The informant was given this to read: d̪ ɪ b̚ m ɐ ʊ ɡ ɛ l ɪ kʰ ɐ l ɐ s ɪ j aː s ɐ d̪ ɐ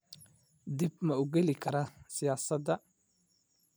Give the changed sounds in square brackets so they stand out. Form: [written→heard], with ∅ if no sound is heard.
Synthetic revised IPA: d̪ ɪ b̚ m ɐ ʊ ɡ ɛ l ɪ kʰ ɐ [l→ɾ] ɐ s ɪ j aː s ɐ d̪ ɐ